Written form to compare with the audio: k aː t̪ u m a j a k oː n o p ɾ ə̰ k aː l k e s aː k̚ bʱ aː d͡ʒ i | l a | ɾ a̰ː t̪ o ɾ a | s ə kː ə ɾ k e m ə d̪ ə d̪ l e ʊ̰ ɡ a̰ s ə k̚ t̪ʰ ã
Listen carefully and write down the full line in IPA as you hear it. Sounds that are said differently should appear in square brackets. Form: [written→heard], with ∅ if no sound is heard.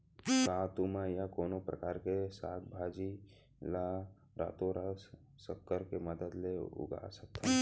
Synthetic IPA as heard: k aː t̪ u m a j a k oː n o p ɾ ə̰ k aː [l→ɾ] k e s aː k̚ bʱ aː d͡ʒ i | l a | ɾ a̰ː t̪ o ɾ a | s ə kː ə ɾ k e m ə d̪ ə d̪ l e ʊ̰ ɡ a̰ s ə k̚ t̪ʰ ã